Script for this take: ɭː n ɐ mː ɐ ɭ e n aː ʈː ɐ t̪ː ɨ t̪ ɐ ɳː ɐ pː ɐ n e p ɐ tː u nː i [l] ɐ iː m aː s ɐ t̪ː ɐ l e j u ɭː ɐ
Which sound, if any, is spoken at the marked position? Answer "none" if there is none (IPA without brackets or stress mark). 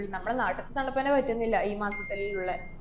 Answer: lː